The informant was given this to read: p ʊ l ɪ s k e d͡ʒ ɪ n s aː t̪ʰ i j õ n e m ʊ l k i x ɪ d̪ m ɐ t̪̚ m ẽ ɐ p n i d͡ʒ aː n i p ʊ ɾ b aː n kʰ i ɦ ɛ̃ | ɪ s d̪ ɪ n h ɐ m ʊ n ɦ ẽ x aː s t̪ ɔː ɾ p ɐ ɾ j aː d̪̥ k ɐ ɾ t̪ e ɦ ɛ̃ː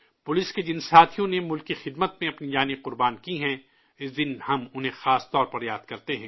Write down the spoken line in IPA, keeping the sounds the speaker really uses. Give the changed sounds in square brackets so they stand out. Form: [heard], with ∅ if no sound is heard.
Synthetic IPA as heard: p ʊ l ɪ s k e d͡ʒ ɪ n s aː t̪ʰ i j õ n e m ʊ l k i x ɪ d̪ m [ə] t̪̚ m ẽ ɐ p n i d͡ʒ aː n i [q] ʊ ɾ b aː n [k] i ɦ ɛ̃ | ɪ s d̪ ɪ n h ɐ m ʊ n ɦ ẽ x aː s t̪ ɔː ɾ p ɐ ɾ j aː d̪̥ k ɐ ɾ t̪ e ɦ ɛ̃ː

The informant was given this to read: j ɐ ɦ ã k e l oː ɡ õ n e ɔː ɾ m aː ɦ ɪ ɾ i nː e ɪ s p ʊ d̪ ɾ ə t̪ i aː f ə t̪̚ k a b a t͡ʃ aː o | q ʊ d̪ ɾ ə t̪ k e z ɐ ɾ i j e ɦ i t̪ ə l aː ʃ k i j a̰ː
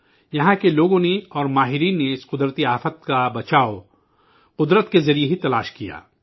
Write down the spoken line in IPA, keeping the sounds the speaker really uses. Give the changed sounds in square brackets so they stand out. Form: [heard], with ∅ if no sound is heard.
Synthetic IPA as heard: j ɐ ɦ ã k e l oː ɡ õ n e ɔː ɾ m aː ɦ ɪ ɾ [iː] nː e ɪ s [q] ʊ d̪ ɾ ə t̪ i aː f ə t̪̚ k a b [ɐ] t͡ʃ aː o | q ʊ d̪ ɾ ə t̪ k e z ɐ ɾ i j e ɦ i t̪ [ɐ] l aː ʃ k i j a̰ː

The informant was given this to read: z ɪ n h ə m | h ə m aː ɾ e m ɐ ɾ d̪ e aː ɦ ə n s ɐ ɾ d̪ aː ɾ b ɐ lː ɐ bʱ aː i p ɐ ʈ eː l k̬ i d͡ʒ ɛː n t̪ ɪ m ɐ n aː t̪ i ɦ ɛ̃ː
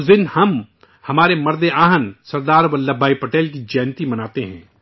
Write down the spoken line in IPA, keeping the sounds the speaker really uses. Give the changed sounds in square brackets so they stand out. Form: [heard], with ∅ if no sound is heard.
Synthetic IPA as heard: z ɪ n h [ɐ] m | h [ɐ] m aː ɾ e m ɐ ɾ d̪ e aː ɦ ə n s ɐ ɾ d̪ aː ɾ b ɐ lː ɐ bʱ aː i p ɐ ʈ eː l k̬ i d͡ʒ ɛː n t̪ [i] m ɐ n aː t̪ [e] ɦ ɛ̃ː

